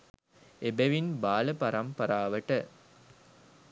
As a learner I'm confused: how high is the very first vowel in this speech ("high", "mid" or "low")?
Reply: mid